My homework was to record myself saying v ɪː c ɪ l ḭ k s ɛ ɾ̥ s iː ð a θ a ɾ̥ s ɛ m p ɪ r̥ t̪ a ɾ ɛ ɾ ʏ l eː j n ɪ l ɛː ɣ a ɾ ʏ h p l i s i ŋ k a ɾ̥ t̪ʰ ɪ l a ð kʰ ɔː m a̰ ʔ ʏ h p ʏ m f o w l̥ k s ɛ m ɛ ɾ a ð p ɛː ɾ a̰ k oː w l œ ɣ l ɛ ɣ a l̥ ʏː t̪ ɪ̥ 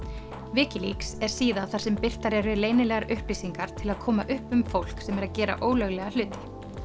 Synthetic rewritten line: v ɪː c ɪ l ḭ k s ɛ ɾ̥ s iː ð a θ a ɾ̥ s ɛ m p ɪ r̥ t̪ a ɾ ɛ ɾ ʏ l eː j n ɪ l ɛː ɣ a ɾ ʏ h p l i s i ŋ k a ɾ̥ t̪ʰ ɪ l a ð kʰ ɔː m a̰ ʔ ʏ h p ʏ m f o w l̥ k s ɛ m ɛ ɾ a ð c ɛː ɾ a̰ ʔ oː w l œ ɣ l ɛ ɣ a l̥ ʏː t̪ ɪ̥